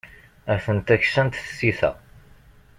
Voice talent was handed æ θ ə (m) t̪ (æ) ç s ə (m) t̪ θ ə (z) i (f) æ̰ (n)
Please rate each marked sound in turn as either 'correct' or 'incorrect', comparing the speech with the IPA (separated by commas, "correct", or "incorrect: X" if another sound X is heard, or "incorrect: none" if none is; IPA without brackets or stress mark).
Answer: incorrect: n, correct, incorrect: n, incorrect: s, incorrect: θ, incorrect: none